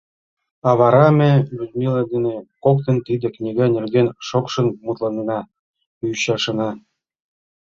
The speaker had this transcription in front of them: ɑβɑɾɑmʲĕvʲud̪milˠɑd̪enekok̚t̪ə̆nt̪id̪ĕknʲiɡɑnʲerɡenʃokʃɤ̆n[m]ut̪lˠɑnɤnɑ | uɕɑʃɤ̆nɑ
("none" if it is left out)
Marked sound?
m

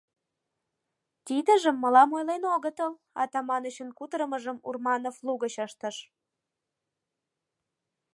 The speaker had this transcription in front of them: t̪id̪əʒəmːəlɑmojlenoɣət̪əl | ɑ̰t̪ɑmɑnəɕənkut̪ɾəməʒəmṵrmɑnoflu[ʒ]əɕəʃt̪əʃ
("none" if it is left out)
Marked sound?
ɣ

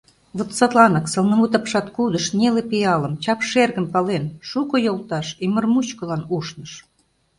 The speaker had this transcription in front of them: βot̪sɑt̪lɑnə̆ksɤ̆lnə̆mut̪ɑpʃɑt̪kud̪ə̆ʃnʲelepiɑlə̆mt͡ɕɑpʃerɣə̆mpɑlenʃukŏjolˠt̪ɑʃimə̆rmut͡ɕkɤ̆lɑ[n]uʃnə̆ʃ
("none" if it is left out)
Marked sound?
n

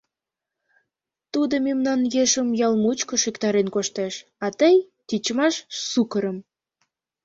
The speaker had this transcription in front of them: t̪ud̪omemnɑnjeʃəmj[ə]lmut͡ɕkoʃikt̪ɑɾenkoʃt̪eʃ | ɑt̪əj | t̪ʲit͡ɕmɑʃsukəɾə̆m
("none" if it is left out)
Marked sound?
ɑ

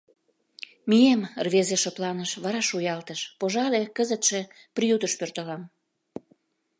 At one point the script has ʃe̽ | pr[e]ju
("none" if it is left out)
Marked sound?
i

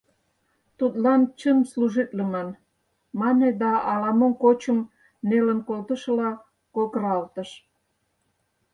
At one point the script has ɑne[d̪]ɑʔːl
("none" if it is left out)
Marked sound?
d̪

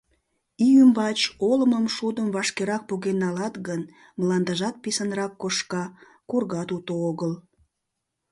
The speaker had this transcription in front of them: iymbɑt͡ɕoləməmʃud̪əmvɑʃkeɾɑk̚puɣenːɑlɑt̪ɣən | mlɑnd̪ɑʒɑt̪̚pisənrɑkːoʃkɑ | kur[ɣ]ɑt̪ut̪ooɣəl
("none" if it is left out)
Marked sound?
ɣ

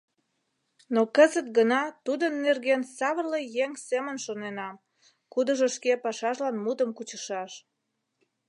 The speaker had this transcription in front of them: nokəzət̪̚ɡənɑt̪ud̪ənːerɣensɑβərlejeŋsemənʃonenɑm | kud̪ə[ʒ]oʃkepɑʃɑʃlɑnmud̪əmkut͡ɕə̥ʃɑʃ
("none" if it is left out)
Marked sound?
ʒ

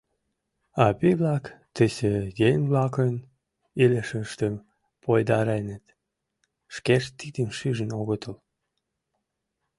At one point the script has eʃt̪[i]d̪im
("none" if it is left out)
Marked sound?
i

